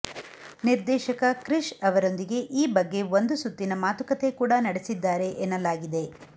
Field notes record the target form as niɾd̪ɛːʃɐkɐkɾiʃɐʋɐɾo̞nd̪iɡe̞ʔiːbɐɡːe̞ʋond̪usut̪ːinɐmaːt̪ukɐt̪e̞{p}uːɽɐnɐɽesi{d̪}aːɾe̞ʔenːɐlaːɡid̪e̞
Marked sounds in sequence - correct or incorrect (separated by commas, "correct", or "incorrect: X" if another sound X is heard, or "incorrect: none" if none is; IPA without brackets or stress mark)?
incorrect: k, incorrect: d̪ː